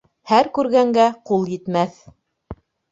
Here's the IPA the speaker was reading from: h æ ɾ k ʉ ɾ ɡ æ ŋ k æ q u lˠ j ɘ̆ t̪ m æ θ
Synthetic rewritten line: h æ ɾ k ʉ ɾ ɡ æ ŋ ɡ æ q u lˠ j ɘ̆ t̪ m æ θ